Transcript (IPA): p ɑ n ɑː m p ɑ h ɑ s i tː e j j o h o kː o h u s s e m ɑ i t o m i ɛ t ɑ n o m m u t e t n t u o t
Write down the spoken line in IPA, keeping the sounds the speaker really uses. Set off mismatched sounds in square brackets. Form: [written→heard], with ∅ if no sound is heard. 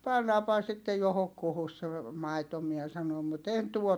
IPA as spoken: p ɑ [n→nː] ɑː m p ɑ h ɑ s i tː e j j o h o kː [o→u] h u s s e m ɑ i t o m i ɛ [t→s] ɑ n o m m u t e [t→∅] n t u o t